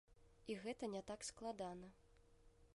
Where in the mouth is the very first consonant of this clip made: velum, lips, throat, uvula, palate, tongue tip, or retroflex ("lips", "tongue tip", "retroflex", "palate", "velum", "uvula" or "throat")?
velum